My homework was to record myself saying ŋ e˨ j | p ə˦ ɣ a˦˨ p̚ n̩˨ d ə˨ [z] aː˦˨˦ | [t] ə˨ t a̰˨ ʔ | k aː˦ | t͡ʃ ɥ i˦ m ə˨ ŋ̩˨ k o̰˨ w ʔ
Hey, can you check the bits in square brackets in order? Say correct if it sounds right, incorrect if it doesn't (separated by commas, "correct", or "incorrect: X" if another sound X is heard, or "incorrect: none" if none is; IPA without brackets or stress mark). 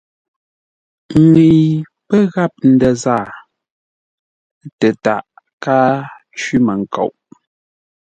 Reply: correct, correct